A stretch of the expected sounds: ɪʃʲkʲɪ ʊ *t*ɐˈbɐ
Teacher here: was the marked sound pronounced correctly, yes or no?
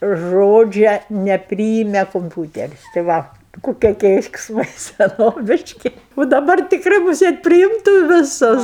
no